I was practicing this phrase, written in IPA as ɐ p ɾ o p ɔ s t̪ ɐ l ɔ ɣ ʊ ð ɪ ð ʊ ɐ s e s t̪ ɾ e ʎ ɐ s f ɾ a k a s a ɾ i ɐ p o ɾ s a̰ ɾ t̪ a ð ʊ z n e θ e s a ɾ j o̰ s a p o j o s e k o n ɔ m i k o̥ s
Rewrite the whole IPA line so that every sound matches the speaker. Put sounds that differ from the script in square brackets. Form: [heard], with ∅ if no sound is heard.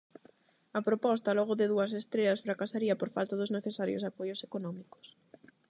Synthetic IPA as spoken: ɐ p ɾ o p ɔ s t̪ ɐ l ɔ ɣ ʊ ð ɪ ð [u] ɐ s e s t̪ ɾ e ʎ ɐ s f ɾ a k a s a ɾ i ɐ p o ɾ [f] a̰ [l] t̪ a ð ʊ z n e θ e s a ɾ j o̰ s a p o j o s e k o n ɔ m i k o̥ s